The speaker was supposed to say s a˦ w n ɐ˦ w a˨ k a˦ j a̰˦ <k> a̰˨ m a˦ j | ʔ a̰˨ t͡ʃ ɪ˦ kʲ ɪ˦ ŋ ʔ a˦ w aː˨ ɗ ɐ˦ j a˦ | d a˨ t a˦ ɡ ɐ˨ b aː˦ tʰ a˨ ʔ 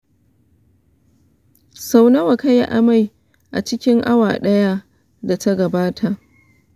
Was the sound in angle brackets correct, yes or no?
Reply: no